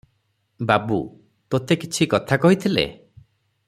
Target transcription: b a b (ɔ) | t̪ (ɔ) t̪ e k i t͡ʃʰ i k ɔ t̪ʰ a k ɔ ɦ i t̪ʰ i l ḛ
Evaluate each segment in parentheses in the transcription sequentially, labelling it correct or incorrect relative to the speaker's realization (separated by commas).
incorrect, incorrect